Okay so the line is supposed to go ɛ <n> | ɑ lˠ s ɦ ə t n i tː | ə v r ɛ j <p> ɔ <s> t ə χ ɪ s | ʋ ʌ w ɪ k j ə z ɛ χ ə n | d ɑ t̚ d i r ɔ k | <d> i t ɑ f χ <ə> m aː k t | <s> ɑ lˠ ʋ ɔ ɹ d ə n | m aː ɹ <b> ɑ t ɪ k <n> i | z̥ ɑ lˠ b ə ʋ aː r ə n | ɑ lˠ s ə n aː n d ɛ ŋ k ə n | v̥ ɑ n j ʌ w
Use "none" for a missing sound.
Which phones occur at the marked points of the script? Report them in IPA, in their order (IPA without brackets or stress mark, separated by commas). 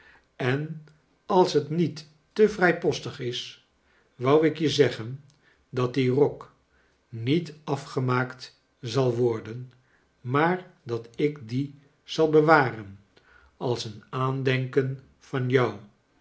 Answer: n, p, s, n, ə, z, d, d